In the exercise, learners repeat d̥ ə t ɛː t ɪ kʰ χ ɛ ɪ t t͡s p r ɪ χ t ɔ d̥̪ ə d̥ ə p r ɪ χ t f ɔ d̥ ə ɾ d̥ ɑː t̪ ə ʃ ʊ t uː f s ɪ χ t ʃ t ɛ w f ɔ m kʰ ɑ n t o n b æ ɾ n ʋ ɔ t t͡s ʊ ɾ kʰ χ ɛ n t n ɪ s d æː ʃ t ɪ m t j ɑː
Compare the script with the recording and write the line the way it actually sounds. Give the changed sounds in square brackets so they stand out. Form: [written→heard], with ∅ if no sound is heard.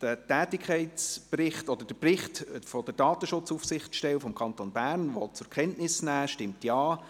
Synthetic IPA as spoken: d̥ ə t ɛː t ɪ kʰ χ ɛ ɪ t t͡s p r ɪ χ t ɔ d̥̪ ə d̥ ə p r ɪ χ t f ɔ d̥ ə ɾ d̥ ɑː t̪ ə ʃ ʊ [t→t͡s] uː f s ɪ χ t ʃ t ɛ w f ɔ m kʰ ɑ n t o n b æ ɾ n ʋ ɔ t t͡s ʊ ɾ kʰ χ ɛ n t n ɪ s [d→n] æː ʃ t ɪ m t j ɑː

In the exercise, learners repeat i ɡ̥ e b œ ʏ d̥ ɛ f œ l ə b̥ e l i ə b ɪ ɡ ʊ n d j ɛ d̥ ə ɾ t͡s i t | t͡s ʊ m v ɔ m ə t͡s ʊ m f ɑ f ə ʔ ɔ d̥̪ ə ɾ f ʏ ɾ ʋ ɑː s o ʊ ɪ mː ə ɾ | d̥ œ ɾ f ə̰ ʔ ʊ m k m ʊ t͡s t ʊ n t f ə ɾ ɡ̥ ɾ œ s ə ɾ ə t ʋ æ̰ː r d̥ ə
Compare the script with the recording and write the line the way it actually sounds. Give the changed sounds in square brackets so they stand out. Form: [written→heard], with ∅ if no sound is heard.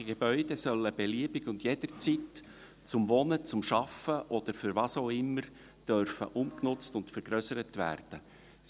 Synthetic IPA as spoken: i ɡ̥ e b œ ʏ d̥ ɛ [f→s] œ l ə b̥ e l i ə b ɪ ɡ ʊ n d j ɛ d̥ ə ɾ t͡s i t | t͡s ʊ m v ɔ [m→n] ə t͡s ʊ m [f→ʃ] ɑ f ə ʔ ɔ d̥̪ ə ɾ f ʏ ɾ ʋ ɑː s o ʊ ɪ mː ə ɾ | d̥ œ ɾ f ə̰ ʔ ʊ m k [m→n] ʊ t͡s t ʊ n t f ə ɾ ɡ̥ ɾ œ s ə ɾ ə t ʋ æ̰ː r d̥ ə

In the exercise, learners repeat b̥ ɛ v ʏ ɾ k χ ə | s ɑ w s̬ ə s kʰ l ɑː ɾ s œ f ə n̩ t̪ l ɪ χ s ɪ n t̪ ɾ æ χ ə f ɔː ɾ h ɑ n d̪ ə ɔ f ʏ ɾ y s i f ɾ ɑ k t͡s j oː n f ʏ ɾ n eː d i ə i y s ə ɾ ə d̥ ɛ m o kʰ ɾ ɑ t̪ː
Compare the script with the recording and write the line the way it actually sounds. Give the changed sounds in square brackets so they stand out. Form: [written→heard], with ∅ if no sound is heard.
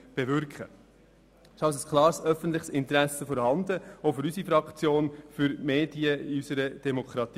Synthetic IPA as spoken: b̥ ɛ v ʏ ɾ k χ ə | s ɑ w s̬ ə s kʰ l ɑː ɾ s œ f ə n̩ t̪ l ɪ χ s ɪ n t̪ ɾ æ [χ→s] ə f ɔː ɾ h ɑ n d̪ ə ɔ f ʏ ɾ y s i f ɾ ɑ k t͡s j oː n f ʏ ɾ [n→m] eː d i ə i y s ə ɾ ə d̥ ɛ m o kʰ ɾ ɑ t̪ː

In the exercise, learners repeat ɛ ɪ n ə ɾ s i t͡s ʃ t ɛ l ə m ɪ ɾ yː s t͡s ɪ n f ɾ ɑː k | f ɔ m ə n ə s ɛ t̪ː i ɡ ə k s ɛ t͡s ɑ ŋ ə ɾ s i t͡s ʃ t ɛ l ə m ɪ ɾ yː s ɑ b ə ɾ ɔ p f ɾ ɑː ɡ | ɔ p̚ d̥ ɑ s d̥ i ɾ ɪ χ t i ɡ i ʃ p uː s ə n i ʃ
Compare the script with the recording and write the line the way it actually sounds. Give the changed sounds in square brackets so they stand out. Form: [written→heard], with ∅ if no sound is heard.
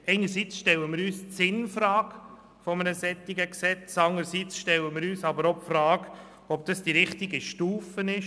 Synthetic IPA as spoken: ɛ ɪ n ə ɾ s i t͡s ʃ t ɛ l ə m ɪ ɾ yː s t͡s ɪ n f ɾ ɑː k | f ɔ m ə n ə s ɛ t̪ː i ɡ ə k s ɛ t͡s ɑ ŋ ə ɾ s i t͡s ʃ t ɛ l ə m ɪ ɾ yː s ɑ b ə ɾ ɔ p f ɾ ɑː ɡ | ɔ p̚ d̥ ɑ s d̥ i ɾ ɪ χ t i ɡ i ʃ [p→t] uː [s→f] ə n [i→ɪ] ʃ

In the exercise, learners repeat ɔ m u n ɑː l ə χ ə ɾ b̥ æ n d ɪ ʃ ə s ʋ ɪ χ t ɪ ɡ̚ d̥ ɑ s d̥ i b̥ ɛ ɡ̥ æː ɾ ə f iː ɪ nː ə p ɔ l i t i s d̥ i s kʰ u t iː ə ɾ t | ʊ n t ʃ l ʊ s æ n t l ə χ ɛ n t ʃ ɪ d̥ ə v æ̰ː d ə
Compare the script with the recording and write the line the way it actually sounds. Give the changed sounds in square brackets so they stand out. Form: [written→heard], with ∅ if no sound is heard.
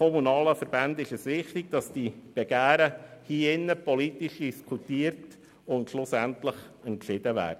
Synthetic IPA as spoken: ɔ m u n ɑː l ə [χ→f] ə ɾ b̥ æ n d ɪ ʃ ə s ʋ ɪ χ t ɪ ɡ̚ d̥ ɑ s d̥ i b̥ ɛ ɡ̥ æː ɾ ə [f→h] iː ɪ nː ə p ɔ l i t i [s→ʃ] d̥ i s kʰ u t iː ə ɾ t | ʊ n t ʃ l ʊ s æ n t l ə χ ɛ n t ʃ ɪ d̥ ə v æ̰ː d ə

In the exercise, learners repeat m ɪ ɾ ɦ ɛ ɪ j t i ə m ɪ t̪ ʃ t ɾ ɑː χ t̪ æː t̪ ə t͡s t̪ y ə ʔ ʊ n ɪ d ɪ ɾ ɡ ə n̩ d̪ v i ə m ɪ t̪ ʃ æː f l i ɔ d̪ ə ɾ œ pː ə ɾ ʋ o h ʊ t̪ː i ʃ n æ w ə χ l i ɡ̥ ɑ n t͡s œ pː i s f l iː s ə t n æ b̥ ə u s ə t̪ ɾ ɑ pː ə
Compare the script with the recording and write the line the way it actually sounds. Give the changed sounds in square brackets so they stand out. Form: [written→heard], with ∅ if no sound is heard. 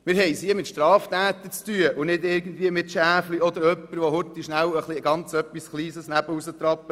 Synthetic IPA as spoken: m ɪ ɾ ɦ ɛ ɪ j [t→s] i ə m ɪ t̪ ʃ t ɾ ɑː [χ→f] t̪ æː t̪ ə t͡s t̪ y ə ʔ ʊ n ɪ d ɪ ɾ ɡ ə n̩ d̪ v i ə m ɪ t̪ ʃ æː f l i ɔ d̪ ə ɾ œ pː ə ɾ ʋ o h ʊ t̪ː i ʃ n æ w ə χ l i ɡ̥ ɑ n t͡s œ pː i s [f→χ] l iː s ə [t→s] n æ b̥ ə u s ə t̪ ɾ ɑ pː ə

